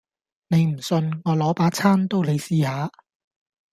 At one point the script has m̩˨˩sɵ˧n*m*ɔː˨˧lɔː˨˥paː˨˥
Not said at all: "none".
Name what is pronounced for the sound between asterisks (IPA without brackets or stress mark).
ŋ